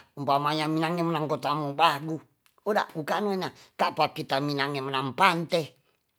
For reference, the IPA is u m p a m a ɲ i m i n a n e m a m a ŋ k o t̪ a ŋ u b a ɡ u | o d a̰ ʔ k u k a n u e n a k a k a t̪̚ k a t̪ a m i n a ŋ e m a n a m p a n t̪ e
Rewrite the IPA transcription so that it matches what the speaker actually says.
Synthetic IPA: u m p a m a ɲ a m i n a ŋ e m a n a ŋ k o t̪ a m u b a ɡ u | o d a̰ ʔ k u k a n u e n a k a p a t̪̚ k i t̪ a m i n a ŋ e m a n a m p a n t̪ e